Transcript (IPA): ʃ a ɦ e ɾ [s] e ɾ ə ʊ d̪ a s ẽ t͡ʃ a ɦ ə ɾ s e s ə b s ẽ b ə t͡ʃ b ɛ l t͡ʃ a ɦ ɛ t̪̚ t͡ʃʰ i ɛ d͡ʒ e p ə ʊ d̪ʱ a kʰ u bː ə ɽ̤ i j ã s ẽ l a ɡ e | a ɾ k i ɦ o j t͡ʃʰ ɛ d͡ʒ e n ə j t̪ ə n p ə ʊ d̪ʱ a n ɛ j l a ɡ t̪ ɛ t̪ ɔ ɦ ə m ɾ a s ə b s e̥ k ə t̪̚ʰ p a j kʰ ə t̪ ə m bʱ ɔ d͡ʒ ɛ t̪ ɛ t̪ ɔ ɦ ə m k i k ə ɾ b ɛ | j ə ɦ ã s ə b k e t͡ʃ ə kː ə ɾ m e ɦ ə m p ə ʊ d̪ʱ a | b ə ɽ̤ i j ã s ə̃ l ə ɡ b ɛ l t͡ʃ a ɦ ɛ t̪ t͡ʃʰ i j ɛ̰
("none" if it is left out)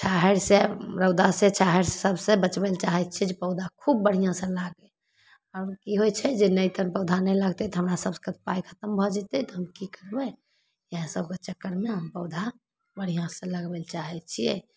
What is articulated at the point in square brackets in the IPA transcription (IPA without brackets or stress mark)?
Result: s